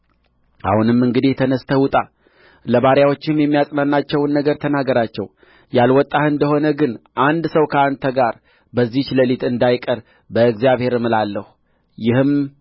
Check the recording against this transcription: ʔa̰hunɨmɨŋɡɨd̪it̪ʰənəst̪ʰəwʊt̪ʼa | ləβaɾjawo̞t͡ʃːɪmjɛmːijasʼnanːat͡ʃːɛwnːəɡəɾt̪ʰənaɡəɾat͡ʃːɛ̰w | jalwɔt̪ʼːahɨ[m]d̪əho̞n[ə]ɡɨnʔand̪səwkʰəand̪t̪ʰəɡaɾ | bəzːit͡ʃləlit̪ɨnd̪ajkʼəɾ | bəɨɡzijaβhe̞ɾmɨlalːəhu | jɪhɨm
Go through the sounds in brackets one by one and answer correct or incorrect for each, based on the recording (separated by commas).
incorrect, correct